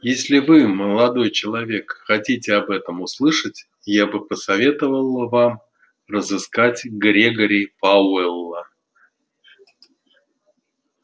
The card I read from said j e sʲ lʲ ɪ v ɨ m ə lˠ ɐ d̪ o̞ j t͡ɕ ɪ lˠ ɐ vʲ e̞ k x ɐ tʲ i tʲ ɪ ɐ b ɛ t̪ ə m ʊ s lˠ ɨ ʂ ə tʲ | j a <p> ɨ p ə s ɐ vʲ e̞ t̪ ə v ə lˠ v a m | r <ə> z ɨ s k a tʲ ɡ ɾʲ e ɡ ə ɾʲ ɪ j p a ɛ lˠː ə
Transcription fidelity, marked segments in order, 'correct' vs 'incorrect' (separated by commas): incorrect, correct